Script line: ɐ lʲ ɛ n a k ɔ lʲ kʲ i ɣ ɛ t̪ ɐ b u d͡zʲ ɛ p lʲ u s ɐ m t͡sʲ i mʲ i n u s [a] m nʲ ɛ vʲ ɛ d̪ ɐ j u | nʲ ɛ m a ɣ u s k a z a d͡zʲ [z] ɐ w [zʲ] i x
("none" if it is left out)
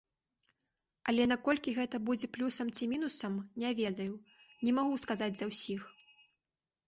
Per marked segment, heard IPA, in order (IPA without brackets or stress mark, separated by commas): ɐ, z, sʲ